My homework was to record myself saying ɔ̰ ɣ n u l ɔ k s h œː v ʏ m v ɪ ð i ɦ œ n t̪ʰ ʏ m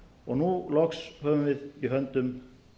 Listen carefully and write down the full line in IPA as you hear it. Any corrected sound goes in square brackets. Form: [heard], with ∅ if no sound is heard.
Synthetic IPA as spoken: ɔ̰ ɣ n u l ɔ k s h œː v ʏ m v ɪ ð i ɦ œ n [t̪] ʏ m